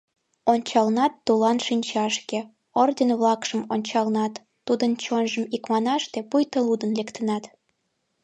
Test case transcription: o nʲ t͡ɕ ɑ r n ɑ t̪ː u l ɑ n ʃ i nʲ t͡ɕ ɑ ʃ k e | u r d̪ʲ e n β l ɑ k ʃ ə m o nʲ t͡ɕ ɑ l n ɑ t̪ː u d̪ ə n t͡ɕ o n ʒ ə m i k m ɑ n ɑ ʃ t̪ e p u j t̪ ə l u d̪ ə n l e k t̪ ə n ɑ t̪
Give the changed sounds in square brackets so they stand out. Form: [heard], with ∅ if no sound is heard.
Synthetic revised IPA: o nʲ t͡ɕ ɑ [l] n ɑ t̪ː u l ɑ n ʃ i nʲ t͡ɕ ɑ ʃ k e | [o] r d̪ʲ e n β l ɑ k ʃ ə m o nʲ t͡ɕ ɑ l n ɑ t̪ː u d̪ ə n t͡ɕ o n ʒ ə m i k m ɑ n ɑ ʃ t̪ e p u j t̪ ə l u d̪ ə n l e k t̪ ə n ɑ t̪